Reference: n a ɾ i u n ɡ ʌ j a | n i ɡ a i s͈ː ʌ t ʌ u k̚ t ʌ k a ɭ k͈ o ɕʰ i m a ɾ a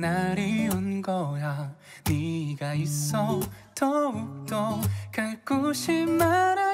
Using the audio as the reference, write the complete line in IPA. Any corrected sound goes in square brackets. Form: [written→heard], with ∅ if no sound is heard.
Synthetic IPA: n a ɾ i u n ɡ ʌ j a | n i ɡ a i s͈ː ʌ t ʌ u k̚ t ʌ k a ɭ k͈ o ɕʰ i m a ɾ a